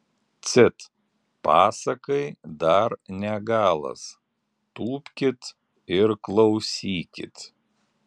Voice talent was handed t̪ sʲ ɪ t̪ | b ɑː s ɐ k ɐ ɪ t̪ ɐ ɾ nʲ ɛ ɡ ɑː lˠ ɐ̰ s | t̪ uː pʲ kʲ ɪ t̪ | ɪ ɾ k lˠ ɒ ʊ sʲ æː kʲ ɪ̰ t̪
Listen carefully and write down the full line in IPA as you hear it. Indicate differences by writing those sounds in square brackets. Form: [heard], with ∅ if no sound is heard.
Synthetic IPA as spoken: t̪ sʲ ɪ t̪ | [p] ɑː s ɐ k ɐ ɪ [d̪] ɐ ɾ nʲ ɛ ɡ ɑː lˠ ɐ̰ s | t̪ uː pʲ kʲ ɪ t̪ | ɪ ɾ k lˠ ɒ ʊ sʲ [iː] kʲ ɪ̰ t̪

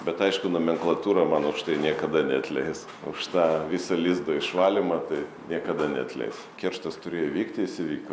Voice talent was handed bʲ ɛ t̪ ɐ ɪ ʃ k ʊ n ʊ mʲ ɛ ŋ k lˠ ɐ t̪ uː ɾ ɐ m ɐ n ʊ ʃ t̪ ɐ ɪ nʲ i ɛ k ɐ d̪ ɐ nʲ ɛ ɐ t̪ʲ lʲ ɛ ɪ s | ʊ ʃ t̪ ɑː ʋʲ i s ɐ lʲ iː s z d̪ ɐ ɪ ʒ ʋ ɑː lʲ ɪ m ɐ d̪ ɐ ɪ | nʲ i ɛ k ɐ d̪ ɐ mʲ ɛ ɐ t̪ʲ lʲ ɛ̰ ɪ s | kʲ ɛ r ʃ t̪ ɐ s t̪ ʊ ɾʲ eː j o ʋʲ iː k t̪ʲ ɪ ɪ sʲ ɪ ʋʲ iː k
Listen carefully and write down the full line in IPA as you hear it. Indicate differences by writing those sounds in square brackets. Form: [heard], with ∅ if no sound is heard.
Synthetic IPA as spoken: bʲ ɛ t̪ ɐ ɪ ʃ k ʊ n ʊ mʲ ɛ ŋ k lˠ ɐ t̪ uː ɾ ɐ m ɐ n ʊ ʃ t̪ ɐ ɪ nʲ i ɛ k ɐ d̪ ɐ nʲ ɛ ɐ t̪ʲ lʲ ɛ ɪ s | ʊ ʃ t̪ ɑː ʋʲ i s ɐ lʲ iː [∅] z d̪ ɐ ɪ [ʃ] ʋ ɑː lʲ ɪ m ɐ [t̪] ɐ ɪ | nʲ i ɛ k ɐ d̪ ɐ [nʲ] ɛ ɐ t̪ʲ lʲ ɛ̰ ɪ s | kʲ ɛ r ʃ t̪ ɐ s t̪ ʊ ɾʲ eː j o ʋʲ iː k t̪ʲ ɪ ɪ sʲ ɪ ʋʲ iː k

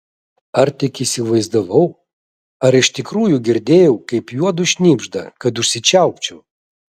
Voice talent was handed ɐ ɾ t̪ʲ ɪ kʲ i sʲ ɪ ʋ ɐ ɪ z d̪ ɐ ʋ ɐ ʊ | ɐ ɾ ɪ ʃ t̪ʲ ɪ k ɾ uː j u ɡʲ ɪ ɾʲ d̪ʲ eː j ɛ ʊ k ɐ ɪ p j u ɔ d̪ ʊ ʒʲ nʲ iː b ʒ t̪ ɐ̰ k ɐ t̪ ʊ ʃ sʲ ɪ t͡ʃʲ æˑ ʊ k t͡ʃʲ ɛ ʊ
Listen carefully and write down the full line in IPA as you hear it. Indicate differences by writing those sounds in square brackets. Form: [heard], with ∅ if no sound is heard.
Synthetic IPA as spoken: ɐ ɾ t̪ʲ ɪ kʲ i sʲ ɪ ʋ ɐ ɪ z d̪ ɐ ʋ ɐ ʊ | ɐ ɾ ɪ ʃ t̪ʲ ɪ k ɾ uː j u ɡʲ ɪ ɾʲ d̪ʲ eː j ɛ ʊ k ɐ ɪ p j u ɔ d̪ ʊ [ʃʲ] nʲ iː b ʒ [d̪] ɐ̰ k ɐ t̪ ʊ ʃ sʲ ɪ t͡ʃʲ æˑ ʊ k t͡ʃʲ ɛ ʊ

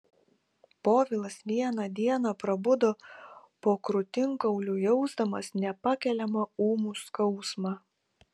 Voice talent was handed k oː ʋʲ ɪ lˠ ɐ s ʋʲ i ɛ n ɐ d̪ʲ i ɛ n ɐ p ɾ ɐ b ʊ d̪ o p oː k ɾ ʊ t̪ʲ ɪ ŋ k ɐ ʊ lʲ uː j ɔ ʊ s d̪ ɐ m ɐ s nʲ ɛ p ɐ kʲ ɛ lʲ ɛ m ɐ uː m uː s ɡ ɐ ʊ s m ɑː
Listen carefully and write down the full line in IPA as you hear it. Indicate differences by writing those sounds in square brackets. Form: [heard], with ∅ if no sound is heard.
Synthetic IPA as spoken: [p] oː ʋʲ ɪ lˠ ɐ s ʋʲ i ɛ n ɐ d̪ʲ i ɛ n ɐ p ɾ ɐ b ʊ d̪ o p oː k ɾ ʊ t̪ʲ ɪ ŋ k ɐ ʊ lʲ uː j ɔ ʊ [z] d̪ ɐ m ɐ s nʲ ɛ p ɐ kʲ ɛ lʲ ɛ m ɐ uː m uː s [k] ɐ ʊ s m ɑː

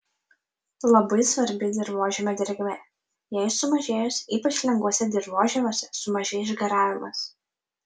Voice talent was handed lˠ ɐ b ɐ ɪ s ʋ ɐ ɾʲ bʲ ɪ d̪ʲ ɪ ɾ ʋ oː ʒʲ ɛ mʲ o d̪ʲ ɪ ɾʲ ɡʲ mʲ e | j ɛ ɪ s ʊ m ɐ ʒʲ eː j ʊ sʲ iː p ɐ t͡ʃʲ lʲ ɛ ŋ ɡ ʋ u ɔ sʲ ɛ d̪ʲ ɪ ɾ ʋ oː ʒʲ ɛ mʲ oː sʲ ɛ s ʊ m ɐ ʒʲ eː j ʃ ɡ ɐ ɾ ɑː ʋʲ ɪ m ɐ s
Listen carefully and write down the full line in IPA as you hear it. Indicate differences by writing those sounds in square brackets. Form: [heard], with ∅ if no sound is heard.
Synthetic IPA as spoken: lˠ ɐ b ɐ ɪ s ʋ ɐ ɾʲ bʲ ɪ d̪ʲ ɪ ɾ ʋ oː ʒʲ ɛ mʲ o d̪ʲ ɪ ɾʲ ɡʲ mʲ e | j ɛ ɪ s ʊ m ɐ ʒʲ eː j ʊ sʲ iː p ɐ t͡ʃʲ lʲ ɛ ŋ ɡ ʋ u ɔ sʲ ɛ d̪ʲ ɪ ɾ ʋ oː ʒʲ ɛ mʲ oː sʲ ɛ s ʊ m ɐ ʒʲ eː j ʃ ɡ ɐ ɾ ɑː ʋʲ ɪ m ɐ s

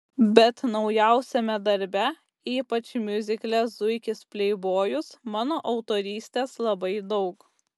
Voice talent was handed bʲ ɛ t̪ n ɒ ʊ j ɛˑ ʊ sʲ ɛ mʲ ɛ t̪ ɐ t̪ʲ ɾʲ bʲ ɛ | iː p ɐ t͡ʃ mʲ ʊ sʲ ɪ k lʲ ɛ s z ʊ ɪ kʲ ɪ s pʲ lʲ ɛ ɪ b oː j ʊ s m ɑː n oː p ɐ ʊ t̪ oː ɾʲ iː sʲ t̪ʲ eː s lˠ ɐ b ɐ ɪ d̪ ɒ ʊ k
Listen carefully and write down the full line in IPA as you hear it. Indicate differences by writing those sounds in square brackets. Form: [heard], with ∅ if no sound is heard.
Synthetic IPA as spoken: bʲ ɛ t̪ n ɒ ʊ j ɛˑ ʊ sʲ ɛ mʲ ɛ [d̪] ɐ [∅] ɾʲ bʲ ɛ | iː p ɐ t͡ʃ mʲ ʊ [zʲ] ɪ k lʲ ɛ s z ʊ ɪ kʲ ɪ s pʲ lʲ ɛ ɪ b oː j ʊ s m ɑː n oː [ʔ] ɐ ʊ t̪ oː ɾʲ iː sʲ t̪ʲ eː s lˠ ɐ b ɐ ɪ d̪ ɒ ʊ k

